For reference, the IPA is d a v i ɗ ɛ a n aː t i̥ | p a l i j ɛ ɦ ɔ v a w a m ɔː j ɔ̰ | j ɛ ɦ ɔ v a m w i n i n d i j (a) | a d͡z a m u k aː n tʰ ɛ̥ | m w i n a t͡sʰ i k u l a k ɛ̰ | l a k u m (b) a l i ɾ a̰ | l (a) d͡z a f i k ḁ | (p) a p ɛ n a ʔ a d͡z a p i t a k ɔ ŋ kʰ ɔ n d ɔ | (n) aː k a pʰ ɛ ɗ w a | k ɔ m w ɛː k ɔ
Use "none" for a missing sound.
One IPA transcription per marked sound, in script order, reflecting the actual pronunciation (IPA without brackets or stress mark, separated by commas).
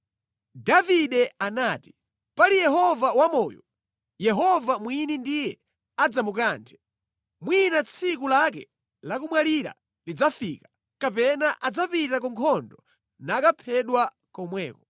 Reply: ɛ, w, i, k, n